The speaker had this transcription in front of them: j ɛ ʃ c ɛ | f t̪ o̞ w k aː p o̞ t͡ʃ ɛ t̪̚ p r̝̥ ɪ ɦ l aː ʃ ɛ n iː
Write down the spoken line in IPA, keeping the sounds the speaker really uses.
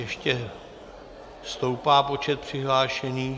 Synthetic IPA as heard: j ɛ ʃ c ɛ | s t̪ o̞ w p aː p o̞ t͡ʃ ɛ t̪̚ p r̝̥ ɪ ɦ l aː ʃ ɛ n iː

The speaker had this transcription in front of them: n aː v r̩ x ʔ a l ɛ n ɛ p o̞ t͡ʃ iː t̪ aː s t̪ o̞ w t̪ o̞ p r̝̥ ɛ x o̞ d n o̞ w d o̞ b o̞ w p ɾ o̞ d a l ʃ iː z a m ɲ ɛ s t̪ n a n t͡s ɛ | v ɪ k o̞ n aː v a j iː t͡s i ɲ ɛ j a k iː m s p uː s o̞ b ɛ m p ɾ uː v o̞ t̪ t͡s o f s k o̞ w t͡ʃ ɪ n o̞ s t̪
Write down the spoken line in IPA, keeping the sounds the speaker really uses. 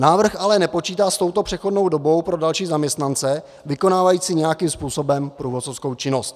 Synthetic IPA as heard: n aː v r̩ x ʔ a l ɛ n ɛ p o̞ t͡ʃ iː t̪ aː s t̪ o̞ w t̪ o̞ p r̝̥ ɛ x o̞ d n o̞ w d o̞ b o̞ w p ɾ o̞ d a l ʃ iː z a m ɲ ɛ s t̪ n a n t͡s ɛ | v ɪ k o̞ n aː v a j iː t͡s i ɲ ɛ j a k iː m s p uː s o̞ b ɛ m p ɾ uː v o̞ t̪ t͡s o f s k o̞ w t͡ʃ ɪ n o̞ s t̪

